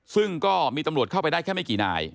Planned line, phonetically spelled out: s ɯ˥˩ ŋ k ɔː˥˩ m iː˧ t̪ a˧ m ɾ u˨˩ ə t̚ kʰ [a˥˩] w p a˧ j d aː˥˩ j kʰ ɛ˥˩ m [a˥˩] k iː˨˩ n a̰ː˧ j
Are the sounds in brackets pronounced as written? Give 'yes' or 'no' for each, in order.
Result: yes, yes

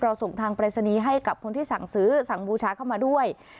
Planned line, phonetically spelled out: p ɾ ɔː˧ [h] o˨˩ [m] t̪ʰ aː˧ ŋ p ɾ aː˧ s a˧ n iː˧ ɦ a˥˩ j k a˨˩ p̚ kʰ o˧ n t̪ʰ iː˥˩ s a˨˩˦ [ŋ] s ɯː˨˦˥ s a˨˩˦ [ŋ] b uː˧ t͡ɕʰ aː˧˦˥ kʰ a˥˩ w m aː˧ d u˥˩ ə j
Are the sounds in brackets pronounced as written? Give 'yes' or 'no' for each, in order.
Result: no, no, yes, yes

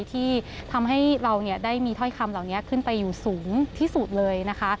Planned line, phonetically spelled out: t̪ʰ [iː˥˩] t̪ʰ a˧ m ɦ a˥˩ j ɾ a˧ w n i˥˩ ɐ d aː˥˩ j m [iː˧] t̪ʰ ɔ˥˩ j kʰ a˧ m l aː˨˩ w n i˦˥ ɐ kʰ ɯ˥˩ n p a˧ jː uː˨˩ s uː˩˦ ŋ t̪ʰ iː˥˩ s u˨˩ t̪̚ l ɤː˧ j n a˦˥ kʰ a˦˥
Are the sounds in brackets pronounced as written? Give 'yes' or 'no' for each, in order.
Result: yes, yes

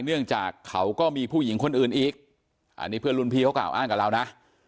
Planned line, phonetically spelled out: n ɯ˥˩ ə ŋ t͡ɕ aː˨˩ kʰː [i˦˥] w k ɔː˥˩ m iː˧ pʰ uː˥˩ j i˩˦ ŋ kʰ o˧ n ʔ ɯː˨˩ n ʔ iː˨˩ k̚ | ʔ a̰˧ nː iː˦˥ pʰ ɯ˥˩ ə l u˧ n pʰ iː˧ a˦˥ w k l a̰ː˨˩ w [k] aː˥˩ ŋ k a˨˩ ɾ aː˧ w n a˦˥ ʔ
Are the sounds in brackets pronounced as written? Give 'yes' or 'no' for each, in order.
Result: no, no

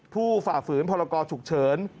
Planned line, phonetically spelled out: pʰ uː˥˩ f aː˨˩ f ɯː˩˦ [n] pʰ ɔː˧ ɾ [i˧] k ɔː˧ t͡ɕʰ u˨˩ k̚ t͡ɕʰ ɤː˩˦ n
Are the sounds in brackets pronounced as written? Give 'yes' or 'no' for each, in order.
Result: yes, no

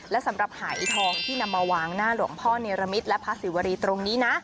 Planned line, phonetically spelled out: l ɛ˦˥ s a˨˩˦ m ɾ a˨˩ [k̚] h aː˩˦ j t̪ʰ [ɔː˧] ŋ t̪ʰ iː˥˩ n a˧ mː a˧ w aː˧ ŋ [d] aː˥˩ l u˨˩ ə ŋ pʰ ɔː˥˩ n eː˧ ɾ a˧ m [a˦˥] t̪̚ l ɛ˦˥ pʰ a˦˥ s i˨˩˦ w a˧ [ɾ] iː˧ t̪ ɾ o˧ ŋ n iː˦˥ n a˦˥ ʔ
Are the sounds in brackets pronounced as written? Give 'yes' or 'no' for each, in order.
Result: no, yes, no, no, yes

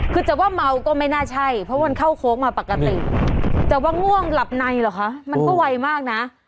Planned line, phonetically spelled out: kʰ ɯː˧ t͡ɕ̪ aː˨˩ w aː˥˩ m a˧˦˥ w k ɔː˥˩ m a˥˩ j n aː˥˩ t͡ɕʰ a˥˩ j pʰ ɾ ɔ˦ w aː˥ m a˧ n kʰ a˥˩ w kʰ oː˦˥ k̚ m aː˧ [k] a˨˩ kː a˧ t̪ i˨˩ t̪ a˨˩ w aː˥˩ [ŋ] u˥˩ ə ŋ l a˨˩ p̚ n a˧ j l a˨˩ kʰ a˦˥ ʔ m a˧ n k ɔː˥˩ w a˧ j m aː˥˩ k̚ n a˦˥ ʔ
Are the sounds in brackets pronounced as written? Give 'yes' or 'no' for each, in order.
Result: no, yes

